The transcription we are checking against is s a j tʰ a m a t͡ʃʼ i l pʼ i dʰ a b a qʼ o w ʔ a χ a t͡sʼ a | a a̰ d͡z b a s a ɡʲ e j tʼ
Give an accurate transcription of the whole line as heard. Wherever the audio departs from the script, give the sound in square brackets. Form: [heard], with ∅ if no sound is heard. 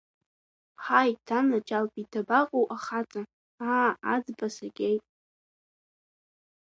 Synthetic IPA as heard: [ħ] a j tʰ a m a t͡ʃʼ [a] l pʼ i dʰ a b a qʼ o w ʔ a χ a t͡sʼ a | a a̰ d͡z b a s a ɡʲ e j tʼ

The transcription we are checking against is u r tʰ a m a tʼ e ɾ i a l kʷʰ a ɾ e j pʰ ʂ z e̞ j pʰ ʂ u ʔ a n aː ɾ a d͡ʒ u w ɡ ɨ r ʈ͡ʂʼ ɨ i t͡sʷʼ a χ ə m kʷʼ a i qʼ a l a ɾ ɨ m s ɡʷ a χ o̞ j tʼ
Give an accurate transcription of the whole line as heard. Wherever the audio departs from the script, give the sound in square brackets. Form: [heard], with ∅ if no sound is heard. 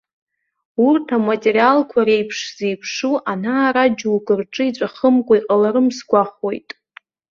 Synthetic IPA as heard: u r tʰ a m a tʼ e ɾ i a l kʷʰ a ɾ e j pʰ ʂ z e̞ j pʰ ʂ u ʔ a n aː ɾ a d͡ʒ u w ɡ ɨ r ʈ͡ʂʼ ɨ i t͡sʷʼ a χ ə m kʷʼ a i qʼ a l a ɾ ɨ m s ɡʷ a χ o̞ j tʼ

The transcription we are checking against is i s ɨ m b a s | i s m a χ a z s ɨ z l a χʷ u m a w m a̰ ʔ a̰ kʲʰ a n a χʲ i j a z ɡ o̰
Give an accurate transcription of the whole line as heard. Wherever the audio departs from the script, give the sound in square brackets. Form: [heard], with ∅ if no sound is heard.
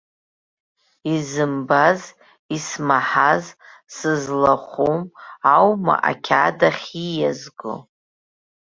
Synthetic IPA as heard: i [z] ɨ m b a [z] | i s m a [ħ] a z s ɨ z l a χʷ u m a w m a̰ ʔ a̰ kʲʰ a [d] a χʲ i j a z ɡ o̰

